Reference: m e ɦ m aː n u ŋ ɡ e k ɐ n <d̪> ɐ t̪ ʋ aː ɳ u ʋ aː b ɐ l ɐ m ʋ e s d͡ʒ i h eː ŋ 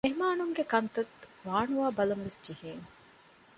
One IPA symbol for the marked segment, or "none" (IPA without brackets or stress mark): t̪